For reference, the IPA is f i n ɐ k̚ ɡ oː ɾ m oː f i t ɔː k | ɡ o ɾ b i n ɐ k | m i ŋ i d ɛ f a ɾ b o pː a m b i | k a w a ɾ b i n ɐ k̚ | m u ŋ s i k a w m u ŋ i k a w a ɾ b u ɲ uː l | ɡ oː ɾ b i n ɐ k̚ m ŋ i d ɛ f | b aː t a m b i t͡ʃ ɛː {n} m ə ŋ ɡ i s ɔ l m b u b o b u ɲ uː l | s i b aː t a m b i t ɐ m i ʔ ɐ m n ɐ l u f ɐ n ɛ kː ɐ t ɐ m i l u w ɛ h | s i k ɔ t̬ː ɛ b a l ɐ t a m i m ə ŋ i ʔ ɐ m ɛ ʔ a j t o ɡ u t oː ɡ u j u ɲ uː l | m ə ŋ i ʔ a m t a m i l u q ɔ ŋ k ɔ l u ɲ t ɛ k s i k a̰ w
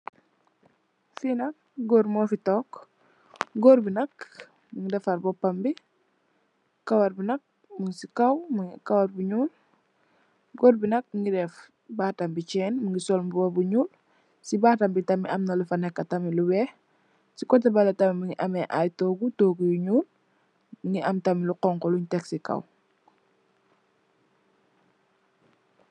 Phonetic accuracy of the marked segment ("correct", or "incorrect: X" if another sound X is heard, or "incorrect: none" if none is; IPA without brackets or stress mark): correct